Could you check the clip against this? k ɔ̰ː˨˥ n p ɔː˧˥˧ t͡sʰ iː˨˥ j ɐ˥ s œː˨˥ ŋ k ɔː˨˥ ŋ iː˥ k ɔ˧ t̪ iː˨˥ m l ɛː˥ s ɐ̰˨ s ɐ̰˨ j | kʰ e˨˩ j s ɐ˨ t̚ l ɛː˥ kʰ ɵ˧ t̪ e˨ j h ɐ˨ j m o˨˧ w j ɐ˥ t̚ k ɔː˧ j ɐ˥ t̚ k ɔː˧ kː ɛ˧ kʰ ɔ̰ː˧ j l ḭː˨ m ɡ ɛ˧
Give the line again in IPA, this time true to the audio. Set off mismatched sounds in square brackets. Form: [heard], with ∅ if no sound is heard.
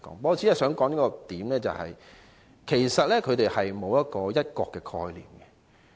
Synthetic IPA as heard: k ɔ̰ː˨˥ [ŋ] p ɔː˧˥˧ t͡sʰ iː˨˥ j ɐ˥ s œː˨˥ ŋ k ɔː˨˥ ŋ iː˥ k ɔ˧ t̪ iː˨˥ m l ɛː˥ [t͡s] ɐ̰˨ [h] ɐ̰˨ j | kʰ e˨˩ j s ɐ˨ t̚ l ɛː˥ kʰ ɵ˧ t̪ e˨ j h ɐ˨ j m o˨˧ w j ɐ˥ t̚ k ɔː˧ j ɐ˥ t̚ k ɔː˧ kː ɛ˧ kʰ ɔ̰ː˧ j l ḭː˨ m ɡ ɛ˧